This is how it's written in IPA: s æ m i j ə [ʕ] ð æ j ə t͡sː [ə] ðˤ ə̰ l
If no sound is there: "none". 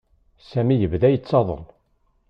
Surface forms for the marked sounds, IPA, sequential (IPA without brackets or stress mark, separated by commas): v, ɑ